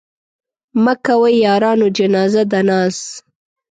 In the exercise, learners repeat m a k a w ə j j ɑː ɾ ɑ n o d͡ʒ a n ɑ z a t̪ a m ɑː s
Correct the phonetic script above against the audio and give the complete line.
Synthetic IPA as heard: m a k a w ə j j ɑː ɾ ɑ n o d͡ʒ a n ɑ z a d̪ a n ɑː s